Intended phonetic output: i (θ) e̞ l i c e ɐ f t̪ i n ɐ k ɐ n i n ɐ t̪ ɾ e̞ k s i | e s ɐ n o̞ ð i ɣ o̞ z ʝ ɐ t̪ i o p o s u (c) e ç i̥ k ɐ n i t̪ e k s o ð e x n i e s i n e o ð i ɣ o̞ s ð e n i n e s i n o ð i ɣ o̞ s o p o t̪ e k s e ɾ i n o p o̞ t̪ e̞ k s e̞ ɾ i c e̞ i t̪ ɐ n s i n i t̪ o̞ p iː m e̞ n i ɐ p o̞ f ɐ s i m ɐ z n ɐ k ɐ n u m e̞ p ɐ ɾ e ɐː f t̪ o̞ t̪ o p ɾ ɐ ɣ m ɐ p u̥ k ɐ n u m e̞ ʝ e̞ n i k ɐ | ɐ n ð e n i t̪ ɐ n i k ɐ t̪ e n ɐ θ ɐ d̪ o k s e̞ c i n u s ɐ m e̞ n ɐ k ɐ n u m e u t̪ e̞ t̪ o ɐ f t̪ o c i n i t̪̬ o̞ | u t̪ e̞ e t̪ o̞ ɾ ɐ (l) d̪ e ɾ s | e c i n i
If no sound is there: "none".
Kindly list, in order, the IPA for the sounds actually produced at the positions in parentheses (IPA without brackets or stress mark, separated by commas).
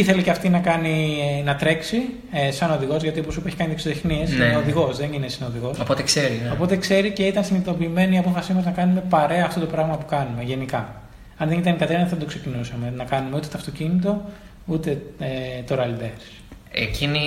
θ, p, l